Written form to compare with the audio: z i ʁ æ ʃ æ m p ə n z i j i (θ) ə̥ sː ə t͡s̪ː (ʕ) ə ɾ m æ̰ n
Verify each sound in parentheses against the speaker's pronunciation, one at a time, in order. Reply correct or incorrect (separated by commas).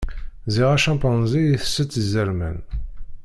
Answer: correct, incorrect